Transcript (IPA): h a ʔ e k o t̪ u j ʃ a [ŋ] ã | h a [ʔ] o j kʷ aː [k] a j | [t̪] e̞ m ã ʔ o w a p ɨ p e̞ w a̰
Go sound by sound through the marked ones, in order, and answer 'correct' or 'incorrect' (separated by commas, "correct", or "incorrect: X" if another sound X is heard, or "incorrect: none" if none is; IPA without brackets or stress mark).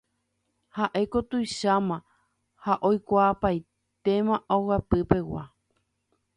incorrect: m, correct, incorrect: p, correct